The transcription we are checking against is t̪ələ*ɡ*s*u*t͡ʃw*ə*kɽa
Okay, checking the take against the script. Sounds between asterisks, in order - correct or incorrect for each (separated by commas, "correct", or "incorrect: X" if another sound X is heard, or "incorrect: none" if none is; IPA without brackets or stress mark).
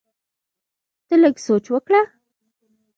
correct, incorrect: o, correct